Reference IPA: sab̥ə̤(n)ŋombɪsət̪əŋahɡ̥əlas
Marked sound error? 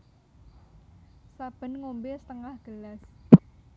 no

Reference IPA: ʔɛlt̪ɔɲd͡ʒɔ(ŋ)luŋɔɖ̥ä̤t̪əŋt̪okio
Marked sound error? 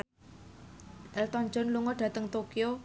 yes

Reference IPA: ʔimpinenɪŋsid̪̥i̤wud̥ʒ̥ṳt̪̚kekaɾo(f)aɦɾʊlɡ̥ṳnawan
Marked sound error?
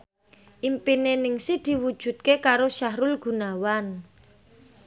yes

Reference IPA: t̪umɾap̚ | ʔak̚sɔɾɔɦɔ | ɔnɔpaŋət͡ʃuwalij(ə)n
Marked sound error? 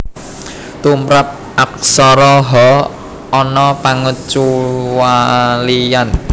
yes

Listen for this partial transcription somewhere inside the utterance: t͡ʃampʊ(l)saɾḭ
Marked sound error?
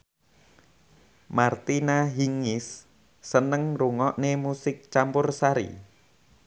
yes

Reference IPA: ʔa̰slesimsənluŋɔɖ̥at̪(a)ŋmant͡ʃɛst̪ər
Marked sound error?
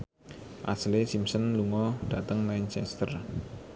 yes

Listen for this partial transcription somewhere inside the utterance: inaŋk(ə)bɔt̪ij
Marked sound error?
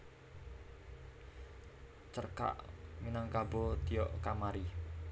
yes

